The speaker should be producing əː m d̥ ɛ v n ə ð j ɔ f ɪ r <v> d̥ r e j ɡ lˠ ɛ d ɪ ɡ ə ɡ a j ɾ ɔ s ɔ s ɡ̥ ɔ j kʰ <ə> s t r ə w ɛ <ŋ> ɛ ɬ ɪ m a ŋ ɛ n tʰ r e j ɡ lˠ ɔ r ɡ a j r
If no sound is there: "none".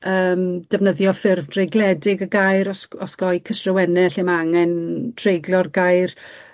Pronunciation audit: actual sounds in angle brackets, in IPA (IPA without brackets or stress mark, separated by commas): v, ə, n